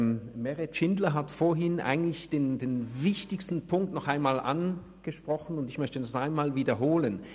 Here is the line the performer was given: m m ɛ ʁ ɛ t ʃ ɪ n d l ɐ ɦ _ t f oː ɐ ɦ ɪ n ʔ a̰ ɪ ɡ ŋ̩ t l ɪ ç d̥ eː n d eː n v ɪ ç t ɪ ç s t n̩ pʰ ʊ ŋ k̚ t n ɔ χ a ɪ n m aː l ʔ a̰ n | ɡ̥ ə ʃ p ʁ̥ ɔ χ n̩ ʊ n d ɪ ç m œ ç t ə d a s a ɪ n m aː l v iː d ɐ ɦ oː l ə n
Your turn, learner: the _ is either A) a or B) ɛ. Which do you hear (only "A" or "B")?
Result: A